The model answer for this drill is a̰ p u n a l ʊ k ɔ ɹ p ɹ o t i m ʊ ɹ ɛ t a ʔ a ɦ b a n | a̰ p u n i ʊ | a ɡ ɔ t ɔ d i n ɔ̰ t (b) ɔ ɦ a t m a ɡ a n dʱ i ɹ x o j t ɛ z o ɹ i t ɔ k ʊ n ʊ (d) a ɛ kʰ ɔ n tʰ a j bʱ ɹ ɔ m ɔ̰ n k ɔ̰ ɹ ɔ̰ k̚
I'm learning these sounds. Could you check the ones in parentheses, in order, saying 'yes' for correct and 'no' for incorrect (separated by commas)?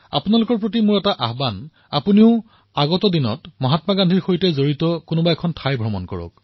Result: no, no